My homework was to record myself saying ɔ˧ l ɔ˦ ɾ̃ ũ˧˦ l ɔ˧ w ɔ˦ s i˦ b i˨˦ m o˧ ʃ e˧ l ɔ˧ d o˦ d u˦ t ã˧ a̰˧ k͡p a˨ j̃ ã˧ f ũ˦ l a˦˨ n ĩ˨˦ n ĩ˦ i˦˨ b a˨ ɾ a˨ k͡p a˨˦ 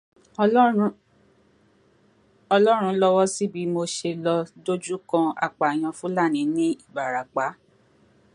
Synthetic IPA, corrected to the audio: ɔ˧ l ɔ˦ ɾ̃ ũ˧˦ l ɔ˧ w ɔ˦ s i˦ b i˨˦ m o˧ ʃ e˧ l ɔ˧ d o˦ d͡ʒ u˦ k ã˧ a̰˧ k͡p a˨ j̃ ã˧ f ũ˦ l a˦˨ n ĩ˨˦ n ĩ˦ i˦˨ b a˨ ɾ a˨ k͡p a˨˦